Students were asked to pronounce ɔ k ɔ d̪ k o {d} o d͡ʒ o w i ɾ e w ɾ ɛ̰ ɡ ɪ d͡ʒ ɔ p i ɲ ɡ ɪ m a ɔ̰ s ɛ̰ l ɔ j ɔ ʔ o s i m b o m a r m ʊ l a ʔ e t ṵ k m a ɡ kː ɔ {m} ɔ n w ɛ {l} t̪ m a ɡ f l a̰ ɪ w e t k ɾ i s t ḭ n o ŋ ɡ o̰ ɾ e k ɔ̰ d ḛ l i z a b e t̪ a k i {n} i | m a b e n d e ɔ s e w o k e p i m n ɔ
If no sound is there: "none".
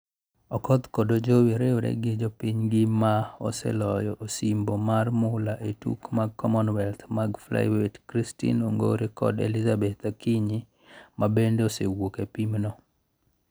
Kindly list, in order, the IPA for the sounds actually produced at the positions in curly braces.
d, m, l, ɲ

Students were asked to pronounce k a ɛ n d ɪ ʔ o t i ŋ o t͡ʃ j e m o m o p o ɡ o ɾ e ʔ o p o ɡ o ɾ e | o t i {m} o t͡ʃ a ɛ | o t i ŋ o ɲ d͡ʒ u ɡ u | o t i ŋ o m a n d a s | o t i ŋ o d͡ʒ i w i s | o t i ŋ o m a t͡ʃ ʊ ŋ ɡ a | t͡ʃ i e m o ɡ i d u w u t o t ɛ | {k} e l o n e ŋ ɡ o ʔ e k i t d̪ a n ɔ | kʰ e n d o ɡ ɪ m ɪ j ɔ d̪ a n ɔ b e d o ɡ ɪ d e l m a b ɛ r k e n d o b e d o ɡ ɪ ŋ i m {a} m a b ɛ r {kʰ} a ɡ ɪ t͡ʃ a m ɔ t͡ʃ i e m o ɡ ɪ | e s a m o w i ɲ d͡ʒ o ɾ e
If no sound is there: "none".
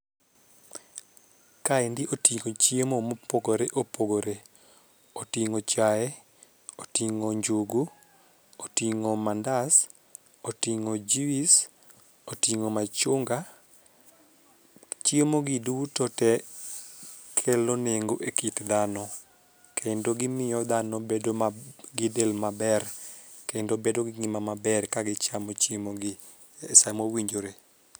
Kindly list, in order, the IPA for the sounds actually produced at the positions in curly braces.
ŋ, kʰ, a, k

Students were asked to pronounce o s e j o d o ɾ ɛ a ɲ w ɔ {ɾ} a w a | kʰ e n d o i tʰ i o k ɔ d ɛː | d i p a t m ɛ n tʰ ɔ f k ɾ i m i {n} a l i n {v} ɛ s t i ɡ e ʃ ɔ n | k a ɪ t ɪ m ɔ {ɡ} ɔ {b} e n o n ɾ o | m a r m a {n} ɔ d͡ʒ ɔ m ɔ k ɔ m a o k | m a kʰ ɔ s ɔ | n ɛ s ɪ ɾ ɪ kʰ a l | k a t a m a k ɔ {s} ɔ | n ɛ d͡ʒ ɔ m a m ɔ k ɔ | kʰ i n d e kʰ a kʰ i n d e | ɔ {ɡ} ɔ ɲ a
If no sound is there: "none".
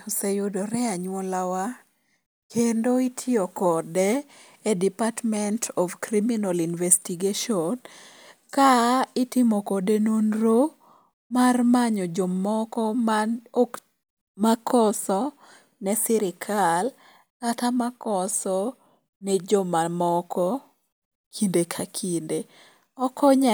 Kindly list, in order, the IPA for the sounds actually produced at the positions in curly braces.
l, n, v, k, d, ɲ, s, k

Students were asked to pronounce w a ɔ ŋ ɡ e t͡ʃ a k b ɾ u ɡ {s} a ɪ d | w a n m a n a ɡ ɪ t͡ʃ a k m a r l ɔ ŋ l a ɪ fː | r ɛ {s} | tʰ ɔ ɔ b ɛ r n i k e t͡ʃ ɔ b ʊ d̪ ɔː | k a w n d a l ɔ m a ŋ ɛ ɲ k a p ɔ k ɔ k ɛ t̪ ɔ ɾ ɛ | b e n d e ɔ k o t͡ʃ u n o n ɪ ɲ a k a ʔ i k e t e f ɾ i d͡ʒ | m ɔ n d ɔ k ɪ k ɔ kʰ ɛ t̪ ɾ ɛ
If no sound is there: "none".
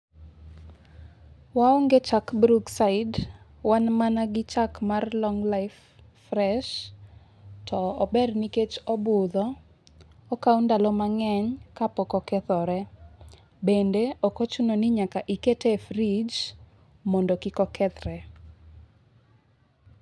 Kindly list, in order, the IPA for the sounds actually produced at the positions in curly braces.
s, ʃ

